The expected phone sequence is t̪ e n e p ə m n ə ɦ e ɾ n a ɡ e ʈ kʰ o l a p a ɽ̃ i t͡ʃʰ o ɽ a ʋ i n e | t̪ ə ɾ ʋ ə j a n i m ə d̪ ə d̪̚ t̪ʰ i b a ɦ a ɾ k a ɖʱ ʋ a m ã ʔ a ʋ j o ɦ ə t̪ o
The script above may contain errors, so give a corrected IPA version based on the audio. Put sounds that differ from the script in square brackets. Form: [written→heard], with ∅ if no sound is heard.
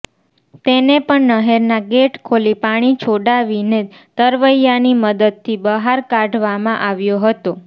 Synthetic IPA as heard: t̪ e n e p ə [m→ɳ] n ə ɦ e ɾ n a ɡ e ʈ kʰ o l [a→i] p a ɽ̃ i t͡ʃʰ o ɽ a ʋ i n e | t̪ ə ɾ ʋ ə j a n i m ə d̪ ə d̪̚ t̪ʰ i b [a→ə] ɦ a ɾ k a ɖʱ ʋ a m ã ʔ a ʋ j o ɦ ə t̪ o